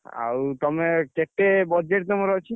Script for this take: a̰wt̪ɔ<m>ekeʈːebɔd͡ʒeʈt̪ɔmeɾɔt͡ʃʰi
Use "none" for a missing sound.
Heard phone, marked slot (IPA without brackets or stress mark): m